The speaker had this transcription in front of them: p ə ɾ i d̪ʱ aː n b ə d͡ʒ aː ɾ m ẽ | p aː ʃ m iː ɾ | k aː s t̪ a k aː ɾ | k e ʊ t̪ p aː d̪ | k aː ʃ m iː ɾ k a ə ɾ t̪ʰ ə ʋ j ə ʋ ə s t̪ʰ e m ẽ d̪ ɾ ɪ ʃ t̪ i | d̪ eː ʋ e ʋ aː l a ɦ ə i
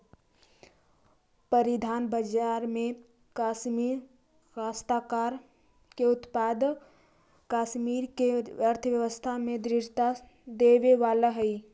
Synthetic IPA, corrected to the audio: p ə ɾ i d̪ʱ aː n b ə d͡ʒ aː ɾ m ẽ | k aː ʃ m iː ɾ | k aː s t̪ a k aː ɾ | k e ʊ t̪ p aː d̪ | k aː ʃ m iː ɾ k e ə ɾ t̪ʰ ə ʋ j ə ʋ ə s t̪ʰ a m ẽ d̪ ɾ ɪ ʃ t̪ a | d̪ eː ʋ e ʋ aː l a ɦ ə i